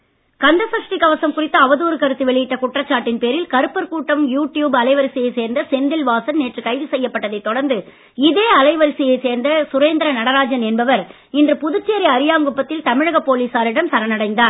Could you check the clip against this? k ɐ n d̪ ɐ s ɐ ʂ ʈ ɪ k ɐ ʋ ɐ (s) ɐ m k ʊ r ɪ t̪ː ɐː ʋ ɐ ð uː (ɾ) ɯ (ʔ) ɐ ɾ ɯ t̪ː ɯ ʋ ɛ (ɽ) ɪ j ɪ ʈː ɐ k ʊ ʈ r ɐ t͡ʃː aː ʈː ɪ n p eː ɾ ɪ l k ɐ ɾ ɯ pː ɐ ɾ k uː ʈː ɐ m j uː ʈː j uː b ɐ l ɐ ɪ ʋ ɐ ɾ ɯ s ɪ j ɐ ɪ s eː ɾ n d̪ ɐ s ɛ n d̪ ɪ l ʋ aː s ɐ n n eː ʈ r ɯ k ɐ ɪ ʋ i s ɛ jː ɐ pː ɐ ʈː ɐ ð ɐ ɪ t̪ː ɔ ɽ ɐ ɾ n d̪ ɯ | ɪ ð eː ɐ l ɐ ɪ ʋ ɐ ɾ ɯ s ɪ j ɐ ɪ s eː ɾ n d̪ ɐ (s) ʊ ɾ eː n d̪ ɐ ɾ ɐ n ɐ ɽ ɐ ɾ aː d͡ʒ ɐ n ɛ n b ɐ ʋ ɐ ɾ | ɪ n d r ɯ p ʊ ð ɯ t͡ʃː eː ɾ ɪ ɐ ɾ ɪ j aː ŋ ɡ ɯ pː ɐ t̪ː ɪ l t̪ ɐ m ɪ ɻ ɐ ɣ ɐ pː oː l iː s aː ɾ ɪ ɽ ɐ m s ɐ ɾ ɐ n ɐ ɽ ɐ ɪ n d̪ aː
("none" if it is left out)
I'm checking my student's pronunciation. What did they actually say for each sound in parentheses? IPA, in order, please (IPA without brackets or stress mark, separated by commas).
s, ɾ, k, ɭ, s